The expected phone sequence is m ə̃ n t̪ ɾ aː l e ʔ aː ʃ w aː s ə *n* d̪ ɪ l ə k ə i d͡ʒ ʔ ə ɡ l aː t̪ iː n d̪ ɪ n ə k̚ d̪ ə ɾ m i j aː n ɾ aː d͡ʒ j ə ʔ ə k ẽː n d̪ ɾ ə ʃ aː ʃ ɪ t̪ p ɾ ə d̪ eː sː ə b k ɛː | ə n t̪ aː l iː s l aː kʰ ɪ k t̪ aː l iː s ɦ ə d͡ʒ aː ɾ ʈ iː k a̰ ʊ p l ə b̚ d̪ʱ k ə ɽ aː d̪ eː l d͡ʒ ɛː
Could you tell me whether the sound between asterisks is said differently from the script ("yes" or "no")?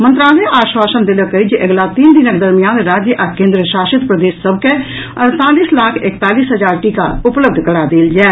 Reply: no